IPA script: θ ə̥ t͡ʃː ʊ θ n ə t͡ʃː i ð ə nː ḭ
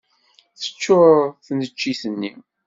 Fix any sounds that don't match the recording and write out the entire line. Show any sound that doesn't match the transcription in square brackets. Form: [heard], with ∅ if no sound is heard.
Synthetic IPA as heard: θ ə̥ t͡ʃː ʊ θ n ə t͡ʃː i [θ] ə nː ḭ